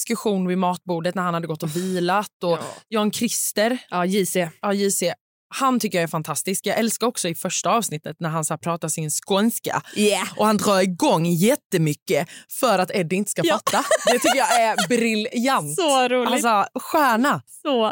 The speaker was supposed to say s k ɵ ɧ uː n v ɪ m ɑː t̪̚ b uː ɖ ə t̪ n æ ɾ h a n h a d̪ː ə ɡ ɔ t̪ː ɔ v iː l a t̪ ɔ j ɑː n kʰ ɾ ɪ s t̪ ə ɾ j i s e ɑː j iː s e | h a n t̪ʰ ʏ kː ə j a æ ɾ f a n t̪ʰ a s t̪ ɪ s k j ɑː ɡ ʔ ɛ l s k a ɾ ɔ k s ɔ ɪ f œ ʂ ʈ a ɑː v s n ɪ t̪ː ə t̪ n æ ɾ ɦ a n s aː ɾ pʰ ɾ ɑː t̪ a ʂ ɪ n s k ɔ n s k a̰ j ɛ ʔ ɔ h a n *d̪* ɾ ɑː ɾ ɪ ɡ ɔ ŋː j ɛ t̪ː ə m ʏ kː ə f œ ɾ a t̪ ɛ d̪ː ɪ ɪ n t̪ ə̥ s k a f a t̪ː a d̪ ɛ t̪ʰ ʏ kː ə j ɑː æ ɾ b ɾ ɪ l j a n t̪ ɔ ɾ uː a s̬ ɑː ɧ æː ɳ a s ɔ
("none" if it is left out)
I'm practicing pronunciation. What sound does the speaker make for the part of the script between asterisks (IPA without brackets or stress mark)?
d̪